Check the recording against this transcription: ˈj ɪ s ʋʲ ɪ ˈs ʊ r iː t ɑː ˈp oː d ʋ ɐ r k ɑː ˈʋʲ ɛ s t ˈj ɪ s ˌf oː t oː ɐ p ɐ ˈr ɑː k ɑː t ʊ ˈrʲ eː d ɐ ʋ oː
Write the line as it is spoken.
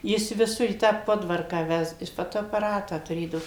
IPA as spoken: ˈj ɪ s ʋʲ ɪ ˈs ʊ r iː t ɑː ˈp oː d ʋ ɐ r k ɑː ˈʋʲ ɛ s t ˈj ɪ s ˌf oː t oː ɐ p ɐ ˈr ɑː t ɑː t ʊ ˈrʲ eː d ɐ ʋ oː